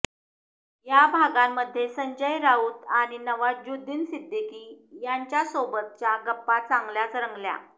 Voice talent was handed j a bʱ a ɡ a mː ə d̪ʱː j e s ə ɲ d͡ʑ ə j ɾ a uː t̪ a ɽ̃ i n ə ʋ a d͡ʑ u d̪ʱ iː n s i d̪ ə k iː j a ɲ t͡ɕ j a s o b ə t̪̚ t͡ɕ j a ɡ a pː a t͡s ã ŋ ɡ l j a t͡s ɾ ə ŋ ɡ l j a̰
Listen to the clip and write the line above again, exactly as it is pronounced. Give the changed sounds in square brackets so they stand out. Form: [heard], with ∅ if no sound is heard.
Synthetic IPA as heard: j a bʱ a ɡ a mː ə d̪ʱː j e s ə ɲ d͡ʑ ə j ɾ a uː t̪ a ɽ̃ i n ə ʋ a d͡ʑ u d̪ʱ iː n s i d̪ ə k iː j a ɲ t͡ɕ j a s o b ə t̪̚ t͡ɕ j a ɡ [ə] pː a t͡s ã ŋ ɡ l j a t͡s ɾ ə ŋ ɡ l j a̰

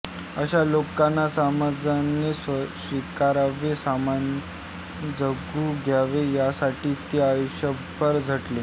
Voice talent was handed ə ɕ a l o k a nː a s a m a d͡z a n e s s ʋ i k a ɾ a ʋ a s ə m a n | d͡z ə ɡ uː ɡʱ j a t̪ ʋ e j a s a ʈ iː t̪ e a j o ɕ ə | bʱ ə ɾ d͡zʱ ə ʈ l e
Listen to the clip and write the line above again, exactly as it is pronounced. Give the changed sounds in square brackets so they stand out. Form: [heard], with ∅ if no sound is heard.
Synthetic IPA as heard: ə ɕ a l o k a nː a s a m a d͡z a n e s s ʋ i k a ɾ a ʋ [e] s [a] m a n | d͡z ə ɡ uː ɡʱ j a [∅] ʋ e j a s a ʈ iː t̪ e a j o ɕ ə | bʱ ə ɾ d͡zʱ ə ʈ l e

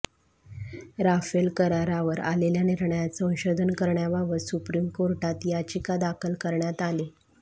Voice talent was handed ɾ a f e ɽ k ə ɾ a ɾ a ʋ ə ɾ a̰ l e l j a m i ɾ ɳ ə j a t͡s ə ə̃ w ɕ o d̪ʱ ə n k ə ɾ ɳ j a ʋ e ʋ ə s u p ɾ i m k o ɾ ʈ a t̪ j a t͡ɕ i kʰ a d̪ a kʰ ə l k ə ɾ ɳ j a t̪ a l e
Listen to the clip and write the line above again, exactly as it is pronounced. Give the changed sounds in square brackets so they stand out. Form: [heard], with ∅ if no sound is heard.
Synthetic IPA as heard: ɾ a f e [l] k ə ɾ a ɾ a ʋ ə ɾ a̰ l e l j a [n] i ɾ ɳ ə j a t͡s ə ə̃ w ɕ o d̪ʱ ə n k ə ɾ ɳ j a ʋ [a] ʋ ə s u p ɾ i m k o ɾ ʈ a t̪ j a t͡ɕ i [k] a d̪ a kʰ ə l k ə ɾ ɳ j a t̪ a l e

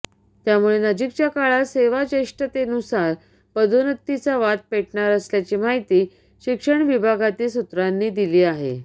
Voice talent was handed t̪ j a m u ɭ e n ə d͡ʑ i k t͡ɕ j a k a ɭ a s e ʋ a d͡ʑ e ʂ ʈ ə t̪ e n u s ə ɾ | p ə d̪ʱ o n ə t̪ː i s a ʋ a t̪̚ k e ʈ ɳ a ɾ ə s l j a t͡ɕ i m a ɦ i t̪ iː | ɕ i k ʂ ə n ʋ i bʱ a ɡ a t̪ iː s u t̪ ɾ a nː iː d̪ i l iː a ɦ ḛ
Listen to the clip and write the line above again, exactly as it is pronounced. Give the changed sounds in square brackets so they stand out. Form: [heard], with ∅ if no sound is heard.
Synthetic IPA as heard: t̪ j a m u ɭ e n ə d͡ʑ i k t͡ɕ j a k a ɭ a s e ʋ a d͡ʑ e ʂ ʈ ə t̪ e n u s [a] ɾ | p ə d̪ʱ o n ə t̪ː i [t͡s] a ʋ a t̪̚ [p] e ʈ ɳ a ɾ ə s l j a t͡ɕ i m a ɦ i t̪ iː | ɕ i k ʂ ə [ɳ] ʋ i bʱ a ɡ a t̪ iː s u t̪ ɾ a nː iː d̪ i l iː a ɦ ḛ

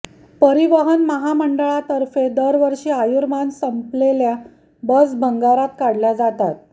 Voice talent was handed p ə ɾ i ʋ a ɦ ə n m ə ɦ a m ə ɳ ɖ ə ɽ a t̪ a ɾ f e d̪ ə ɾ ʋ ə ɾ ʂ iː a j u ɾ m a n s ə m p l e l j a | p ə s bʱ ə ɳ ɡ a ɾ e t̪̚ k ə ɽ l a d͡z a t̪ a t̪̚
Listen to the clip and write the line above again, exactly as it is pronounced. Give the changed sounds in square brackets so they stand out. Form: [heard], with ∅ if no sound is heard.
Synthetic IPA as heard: p ə ɾ i ʋ [ə] ɦ ə n m ə ɦ a m ə ɳ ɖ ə [ɭ] a t̪ [ə] ɾ f e d̪ ə ɾ ʋ ə ɾ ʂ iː a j u ɾ m a n s ə m p l e l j a | [b] ə s bʱ ə [ŋ] ɡ a ɾ [a] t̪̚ k [a] ɽ l a d͡z a t̪ a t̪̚

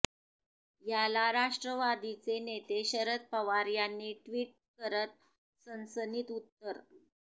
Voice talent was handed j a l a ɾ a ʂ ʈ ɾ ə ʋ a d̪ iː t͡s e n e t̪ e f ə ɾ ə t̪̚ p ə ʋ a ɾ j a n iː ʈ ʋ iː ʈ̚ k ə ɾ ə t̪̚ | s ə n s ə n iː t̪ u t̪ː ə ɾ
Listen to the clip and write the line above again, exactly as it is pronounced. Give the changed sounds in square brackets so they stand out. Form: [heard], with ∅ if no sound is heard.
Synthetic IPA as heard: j a l a ɾ a ʂ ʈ ɾ ə ʋ a d̪ [i] t͡s e n e t̪ e [ɕ] ə ɾ ə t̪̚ p ə ʋ a ɾ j a [nː] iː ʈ ʋ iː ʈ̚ k ə ɾ ə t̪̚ | s ə n s ə n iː t̪ u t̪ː ə ɾ

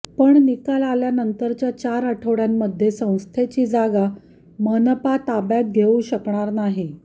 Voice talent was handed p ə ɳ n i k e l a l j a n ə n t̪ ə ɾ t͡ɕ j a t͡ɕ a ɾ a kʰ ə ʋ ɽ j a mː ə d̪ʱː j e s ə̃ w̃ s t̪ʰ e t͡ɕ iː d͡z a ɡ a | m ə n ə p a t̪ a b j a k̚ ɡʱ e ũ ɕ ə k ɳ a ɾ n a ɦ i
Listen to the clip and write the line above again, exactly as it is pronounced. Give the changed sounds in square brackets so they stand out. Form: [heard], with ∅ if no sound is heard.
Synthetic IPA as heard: p ə ɳ n i k [a] l a l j a n ə n t̪ ə ɾ t͡ɕ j a t͡ɕ a ɾ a [ʈʰ] ə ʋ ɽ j a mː ə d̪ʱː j e s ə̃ w̃ s t̪ʰ e t͡ɕ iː d͡z a ɡ a | m ə n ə p a t̪ a b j a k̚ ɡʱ e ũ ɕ ə k ɳ a ɾ n a ɦ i

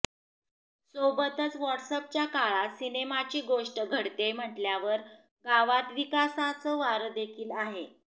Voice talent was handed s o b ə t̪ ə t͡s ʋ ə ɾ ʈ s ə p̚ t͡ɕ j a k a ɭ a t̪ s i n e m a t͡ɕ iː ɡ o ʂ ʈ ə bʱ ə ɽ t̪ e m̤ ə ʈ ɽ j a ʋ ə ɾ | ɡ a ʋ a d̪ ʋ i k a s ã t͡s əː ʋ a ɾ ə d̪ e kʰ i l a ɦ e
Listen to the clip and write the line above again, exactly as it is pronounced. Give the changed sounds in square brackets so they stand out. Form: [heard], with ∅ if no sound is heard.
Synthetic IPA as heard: s o b ə t̪ ə t͡s ʋ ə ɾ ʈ s ə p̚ t͡ɕ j a k a ɭ a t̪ s i n e m a t͡ɕ iː ɡ o ʂ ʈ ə [ɡʱ] ə ɽ t̪ e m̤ ə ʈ [l] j a ʋ ə ɾ | ɡ a ʋ a [t̪] ʋ i k a s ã t͡s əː ʋ a ɾ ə d̪ e kʰ [iː] l a ɦ e

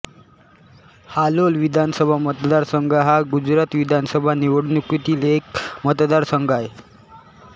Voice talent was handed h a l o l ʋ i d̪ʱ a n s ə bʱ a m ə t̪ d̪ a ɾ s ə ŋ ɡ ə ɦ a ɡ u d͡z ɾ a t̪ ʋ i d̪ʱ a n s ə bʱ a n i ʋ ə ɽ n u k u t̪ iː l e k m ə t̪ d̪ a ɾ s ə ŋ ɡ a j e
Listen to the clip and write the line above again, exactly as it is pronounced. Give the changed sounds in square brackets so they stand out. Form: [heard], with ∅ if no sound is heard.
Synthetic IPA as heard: h a l o l ʋ i d̪ʱ a n s ə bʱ a m ə t̪ d̪ a ɾ s ə ŋ ɡ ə ɦ a ɡ u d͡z ɾ a t̪ ʋ i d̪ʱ a n s ə bʱ a n i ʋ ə ɽ n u k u t̪ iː l e k m ə t̪ d̪ a ɾ s ə ŋ ɡ a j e

